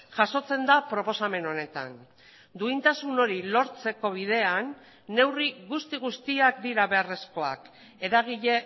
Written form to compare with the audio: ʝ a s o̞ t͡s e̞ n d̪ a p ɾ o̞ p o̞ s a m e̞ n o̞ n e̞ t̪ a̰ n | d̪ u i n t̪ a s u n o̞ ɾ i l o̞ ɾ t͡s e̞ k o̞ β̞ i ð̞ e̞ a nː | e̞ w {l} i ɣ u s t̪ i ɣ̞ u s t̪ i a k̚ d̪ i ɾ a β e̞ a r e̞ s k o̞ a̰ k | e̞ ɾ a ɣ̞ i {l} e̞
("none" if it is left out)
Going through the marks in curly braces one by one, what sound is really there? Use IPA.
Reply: r, ʎ

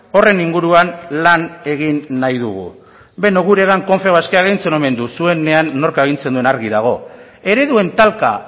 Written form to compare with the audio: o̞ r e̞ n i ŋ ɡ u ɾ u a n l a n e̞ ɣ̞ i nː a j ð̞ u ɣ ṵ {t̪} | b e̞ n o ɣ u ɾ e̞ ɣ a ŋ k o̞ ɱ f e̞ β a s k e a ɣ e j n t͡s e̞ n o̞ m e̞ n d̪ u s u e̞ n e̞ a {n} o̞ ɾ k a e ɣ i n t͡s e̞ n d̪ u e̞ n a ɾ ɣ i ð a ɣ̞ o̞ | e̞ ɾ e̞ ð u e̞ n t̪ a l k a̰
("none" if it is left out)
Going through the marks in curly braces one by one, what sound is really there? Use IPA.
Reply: none, nː

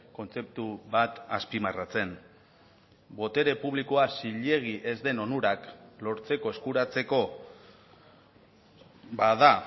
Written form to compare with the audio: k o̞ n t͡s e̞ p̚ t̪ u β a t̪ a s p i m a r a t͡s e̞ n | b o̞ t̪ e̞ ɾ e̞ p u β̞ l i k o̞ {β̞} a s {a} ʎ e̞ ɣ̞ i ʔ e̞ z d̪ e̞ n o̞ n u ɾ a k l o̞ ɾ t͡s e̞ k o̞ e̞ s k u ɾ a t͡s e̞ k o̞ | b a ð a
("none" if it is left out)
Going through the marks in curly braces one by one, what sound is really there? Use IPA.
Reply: none, i

